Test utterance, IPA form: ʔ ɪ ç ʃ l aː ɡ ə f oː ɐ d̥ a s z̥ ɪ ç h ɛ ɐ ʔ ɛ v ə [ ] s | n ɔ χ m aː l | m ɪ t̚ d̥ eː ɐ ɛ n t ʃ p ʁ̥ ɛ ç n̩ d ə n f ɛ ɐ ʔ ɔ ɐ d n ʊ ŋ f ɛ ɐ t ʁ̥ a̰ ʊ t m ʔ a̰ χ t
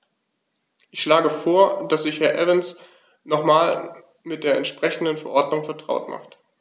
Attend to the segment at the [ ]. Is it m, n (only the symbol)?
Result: n